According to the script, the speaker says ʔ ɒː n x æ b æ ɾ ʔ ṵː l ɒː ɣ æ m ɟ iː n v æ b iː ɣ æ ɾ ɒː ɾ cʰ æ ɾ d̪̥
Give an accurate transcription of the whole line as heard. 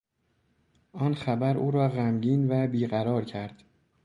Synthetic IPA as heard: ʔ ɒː n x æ b æ ɾ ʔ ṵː ɾ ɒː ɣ æ m ɟ iː n v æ b iː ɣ æ ɾ ɒː ɾ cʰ æ ɾ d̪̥